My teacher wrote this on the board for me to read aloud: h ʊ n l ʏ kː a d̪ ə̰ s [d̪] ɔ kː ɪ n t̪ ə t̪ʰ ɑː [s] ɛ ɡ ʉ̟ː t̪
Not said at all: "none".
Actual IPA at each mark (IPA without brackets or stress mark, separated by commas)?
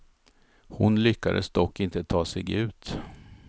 d̪, s